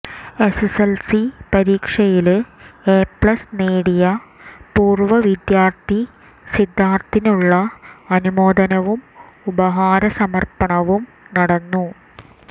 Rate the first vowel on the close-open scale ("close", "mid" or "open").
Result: mid